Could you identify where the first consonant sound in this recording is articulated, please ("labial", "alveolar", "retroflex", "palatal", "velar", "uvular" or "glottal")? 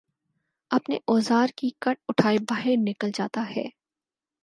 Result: labial